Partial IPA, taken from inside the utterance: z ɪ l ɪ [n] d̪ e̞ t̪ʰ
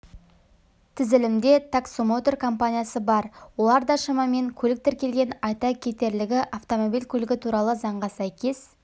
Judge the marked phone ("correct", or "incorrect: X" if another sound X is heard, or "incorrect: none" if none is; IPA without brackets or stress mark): incorrect: m